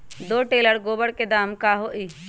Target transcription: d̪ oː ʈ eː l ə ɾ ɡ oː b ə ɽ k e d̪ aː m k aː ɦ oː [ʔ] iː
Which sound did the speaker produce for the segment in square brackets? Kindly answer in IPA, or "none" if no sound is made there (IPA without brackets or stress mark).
ʔ